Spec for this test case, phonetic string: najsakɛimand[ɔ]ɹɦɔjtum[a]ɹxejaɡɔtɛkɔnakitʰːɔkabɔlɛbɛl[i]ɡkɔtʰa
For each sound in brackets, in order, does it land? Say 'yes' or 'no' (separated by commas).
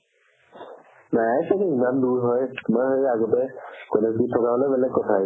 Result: no, yes, no